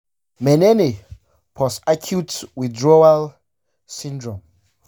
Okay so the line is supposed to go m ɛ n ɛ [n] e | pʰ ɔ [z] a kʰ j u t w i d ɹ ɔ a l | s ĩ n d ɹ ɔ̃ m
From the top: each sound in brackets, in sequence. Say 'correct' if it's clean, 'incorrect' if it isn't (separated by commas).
correct, incorrect